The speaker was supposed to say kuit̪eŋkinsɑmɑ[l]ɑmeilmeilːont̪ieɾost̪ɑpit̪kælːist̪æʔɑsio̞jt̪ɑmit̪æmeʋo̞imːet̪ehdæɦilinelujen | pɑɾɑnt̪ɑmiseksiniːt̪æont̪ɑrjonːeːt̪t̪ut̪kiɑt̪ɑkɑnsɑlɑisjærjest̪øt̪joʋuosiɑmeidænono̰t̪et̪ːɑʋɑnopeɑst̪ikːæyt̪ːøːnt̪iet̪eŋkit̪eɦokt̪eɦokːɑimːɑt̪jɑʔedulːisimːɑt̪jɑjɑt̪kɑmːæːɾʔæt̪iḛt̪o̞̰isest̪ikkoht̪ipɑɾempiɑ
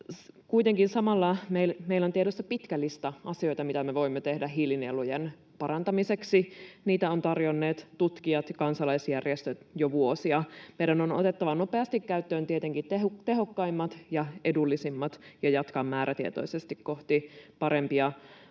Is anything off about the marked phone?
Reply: yes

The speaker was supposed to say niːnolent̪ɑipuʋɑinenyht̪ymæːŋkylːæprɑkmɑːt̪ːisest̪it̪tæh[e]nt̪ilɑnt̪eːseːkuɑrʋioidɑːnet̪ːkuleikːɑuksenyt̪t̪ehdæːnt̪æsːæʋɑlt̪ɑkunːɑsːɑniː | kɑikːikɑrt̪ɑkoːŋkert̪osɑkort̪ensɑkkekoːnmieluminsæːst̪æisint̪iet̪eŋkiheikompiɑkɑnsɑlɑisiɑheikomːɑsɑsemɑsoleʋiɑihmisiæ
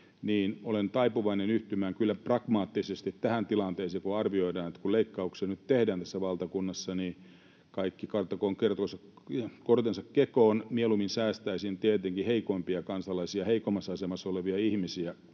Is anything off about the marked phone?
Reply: yes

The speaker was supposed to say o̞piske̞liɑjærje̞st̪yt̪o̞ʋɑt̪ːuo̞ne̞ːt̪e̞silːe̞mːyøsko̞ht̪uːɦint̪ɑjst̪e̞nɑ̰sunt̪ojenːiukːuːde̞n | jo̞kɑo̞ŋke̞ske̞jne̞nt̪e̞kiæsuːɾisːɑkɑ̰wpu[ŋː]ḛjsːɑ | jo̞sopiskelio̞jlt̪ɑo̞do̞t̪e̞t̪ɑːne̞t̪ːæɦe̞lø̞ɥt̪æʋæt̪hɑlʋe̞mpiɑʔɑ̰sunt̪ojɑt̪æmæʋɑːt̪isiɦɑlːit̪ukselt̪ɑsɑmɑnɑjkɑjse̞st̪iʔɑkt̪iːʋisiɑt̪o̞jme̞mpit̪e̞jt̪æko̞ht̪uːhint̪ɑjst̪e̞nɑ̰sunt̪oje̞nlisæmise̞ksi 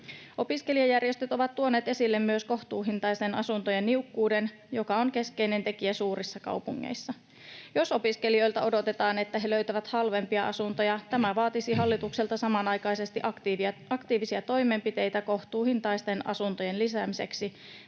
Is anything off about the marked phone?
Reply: no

